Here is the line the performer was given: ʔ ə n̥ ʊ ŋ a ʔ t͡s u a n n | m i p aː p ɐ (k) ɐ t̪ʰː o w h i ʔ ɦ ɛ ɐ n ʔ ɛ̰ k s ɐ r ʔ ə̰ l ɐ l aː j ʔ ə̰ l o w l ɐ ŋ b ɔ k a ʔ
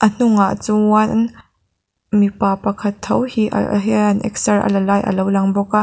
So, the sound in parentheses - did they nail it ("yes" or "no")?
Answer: no